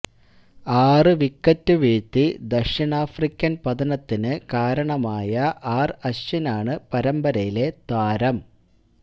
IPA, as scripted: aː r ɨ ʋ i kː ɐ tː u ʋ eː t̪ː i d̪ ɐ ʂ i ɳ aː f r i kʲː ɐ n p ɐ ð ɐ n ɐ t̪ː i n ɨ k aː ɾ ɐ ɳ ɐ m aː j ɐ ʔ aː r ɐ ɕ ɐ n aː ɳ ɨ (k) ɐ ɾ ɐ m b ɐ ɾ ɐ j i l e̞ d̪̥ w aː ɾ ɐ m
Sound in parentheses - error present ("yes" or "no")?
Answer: yes